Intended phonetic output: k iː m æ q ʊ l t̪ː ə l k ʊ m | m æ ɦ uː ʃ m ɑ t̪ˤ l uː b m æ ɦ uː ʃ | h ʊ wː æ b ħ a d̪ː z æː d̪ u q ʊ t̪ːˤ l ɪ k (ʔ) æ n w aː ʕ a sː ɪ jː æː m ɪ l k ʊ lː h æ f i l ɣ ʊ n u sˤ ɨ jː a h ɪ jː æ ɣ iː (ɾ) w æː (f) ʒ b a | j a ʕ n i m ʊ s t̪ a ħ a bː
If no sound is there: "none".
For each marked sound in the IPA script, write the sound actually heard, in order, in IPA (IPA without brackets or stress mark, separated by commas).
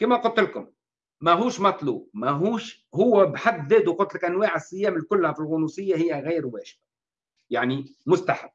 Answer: ʔ, ɾ, none